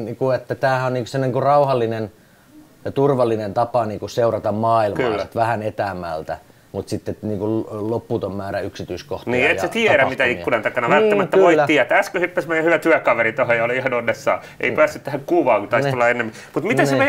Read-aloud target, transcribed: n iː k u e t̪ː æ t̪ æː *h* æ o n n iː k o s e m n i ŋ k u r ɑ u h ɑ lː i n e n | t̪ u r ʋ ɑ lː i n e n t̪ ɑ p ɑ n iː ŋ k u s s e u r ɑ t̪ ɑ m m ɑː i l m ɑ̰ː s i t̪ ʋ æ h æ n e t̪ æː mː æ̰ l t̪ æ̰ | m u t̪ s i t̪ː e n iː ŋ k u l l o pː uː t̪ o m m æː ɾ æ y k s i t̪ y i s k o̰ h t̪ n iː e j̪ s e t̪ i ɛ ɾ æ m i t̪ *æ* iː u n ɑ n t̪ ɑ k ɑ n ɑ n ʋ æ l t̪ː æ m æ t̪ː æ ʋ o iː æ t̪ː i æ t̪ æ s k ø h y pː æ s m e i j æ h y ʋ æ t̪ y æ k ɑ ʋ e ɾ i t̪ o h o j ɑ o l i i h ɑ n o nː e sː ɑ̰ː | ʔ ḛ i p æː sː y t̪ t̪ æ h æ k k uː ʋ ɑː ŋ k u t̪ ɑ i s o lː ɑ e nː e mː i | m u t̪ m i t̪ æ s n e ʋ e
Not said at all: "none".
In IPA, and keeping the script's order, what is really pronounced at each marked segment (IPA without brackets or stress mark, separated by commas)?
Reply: h, æ